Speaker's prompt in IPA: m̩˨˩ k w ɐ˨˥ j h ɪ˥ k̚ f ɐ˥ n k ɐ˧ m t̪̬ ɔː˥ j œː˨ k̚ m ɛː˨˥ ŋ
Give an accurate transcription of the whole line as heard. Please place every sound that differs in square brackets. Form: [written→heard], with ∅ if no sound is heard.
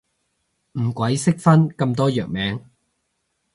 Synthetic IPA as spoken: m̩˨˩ k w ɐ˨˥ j [h→s] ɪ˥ k̚ f ɐ˥ n k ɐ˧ m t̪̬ ɔː˥ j œː˨ k̚ m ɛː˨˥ ŋ

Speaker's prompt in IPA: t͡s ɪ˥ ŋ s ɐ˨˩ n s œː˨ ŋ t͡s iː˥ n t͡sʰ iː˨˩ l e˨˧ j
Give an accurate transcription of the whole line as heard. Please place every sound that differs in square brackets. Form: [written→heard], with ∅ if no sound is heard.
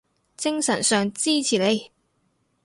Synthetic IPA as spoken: t͡s ɪ˥ ŋ s ɐ˨˩ n s œː˨ ŋ t͡s iː˥ [n→∅] t͡sʰ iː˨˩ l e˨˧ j

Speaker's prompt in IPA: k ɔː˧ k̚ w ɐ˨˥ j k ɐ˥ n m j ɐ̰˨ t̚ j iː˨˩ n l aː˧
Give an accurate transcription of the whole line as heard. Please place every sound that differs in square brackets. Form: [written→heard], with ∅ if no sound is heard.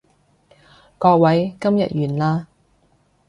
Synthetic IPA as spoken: k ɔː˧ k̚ w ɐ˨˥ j k ɐ˥ [n→∅] m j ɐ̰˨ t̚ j [iː˨˩→yː˨˩] n l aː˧

